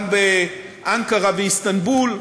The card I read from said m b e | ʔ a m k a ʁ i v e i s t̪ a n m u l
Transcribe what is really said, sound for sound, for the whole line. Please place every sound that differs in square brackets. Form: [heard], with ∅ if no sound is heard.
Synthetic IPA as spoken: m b e | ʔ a [ŋ] k a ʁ [a] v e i s t̪ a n [b] u l